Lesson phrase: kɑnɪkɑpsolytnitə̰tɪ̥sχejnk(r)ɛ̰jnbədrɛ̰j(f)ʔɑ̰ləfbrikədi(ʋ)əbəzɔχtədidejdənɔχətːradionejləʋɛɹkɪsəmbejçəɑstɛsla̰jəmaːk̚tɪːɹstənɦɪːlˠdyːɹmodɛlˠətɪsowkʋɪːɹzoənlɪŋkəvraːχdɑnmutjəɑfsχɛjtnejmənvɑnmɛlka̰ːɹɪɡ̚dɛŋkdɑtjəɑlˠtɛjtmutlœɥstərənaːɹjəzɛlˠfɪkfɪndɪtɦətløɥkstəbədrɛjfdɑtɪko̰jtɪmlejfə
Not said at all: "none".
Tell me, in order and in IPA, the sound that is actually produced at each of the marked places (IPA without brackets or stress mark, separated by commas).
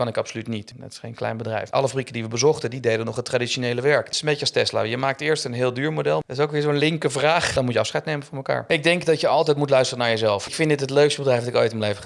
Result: l, f, ʋ